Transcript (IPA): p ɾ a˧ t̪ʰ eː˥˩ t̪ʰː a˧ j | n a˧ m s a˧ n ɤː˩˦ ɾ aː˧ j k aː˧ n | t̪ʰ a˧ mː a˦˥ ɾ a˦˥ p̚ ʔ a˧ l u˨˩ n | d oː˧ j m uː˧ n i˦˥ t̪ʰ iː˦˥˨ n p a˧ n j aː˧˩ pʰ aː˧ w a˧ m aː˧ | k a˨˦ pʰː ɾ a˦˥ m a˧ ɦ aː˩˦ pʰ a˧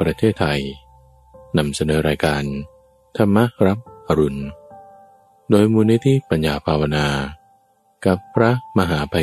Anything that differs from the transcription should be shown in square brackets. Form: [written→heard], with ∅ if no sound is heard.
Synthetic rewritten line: p ɾ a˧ t̪ʰ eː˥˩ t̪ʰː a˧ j | n a˧ m s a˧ n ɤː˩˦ ɾ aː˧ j k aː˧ n | t̪ʰ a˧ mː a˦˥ ɾ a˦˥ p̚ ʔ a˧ [l→ɾ] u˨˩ n | d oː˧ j m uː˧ n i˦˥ t̪ʰ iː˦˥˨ [n→∅] p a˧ n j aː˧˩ pʰ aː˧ w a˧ [m→n] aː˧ | k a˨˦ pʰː ɾ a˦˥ m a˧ ɦ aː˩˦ pʰ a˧